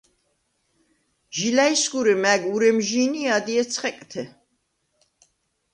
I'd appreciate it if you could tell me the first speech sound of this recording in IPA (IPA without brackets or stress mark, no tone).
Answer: ʒ